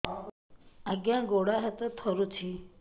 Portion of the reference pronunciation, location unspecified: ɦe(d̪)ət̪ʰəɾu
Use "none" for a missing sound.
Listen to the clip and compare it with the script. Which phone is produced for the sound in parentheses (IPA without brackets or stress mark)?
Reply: t̪